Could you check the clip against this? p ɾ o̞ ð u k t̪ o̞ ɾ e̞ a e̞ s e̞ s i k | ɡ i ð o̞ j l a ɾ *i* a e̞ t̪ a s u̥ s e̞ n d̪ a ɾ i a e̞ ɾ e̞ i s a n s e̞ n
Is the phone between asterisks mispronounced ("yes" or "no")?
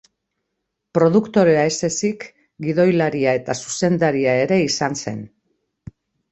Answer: no